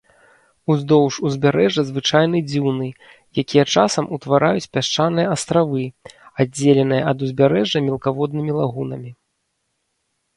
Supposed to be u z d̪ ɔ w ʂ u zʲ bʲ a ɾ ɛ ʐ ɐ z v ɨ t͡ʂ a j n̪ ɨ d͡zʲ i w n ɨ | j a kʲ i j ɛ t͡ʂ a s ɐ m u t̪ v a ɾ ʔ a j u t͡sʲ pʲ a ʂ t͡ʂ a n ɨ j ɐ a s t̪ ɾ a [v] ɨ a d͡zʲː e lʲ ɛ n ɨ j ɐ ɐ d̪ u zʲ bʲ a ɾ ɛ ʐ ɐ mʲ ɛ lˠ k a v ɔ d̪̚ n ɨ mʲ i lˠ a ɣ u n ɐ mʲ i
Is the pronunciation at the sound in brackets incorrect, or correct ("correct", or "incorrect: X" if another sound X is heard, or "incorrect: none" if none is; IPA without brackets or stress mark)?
correct